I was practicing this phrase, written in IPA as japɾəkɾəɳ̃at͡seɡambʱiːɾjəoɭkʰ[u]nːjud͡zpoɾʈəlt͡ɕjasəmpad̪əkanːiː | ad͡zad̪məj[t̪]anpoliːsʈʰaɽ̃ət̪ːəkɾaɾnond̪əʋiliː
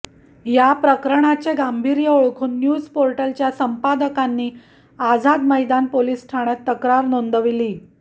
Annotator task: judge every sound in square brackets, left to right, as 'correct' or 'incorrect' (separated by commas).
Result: incorrect, incorrect